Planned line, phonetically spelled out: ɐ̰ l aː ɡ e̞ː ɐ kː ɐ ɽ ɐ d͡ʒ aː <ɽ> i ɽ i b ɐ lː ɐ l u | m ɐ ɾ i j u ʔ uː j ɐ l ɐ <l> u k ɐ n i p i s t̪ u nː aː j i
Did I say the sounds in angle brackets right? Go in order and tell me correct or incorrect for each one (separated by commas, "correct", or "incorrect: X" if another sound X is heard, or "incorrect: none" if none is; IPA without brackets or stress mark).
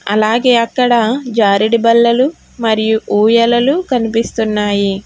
incorrect: ɾ, correct